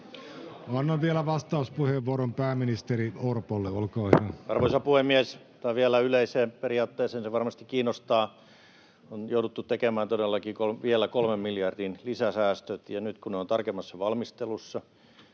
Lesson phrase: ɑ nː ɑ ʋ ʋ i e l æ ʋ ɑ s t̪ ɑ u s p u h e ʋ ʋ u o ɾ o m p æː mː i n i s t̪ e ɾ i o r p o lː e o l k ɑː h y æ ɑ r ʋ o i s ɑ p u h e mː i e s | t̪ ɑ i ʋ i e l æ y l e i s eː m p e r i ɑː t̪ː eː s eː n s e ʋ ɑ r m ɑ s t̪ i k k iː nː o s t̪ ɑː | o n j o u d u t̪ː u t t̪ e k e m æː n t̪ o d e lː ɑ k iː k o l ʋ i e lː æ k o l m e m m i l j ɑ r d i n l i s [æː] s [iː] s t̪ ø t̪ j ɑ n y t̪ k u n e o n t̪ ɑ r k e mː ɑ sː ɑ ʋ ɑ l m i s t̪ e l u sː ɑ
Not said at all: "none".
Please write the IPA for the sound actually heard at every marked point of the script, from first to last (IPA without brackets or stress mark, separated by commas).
æ, æː